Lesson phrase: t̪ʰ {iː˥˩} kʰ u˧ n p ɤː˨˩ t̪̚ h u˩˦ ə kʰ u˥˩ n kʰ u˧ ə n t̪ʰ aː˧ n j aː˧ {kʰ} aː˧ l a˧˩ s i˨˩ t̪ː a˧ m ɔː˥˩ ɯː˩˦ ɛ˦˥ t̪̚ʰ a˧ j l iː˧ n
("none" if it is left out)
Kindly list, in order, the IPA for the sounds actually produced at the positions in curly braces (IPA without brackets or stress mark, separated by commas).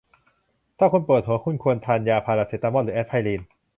aː˥˩, pʰ